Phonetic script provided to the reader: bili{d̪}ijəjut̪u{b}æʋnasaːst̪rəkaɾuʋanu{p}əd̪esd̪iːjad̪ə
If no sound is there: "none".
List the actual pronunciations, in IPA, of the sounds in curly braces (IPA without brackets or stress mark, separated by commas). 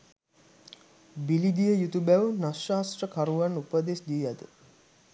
d̪, b, p